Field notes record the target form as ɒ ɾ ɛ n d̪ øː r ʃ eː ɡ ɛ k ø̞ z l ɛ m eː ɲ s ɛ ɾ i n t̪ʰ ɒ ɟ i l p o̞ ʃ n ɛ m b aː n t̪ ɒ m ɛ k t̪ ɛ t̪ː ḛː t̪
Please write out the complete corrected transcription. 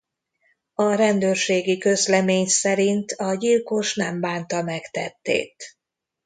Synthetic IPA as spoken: ɒ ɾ ɛ n d̪ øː r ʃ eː ɡ i k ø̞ z l ɛ m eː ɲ s ɛ ɾ i n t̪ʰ ɒ ɟ i l k o̞ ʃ n ɛ m b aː n t̪ ɒ m ɛ k t̪ ɛ t̪ː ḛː t̪